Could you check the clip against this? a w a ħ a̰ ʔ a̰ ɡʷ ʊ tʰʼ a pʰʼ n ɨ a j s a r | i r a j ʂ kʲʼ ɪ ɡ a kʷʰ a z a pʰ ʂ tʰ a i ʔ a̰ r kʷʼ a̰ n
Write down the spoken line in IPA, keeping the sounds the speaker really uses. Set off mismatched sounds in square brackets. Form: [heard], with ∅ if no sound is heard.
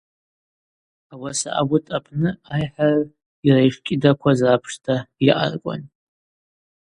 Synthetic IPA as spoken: a w a [s] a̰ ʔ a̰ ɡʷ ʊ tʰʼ a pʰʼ n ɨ a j [ħ] a r | i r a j ʂ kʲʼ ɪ [d] a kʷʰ a z a pʰ ʂ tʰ a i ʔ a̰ r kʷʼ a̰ n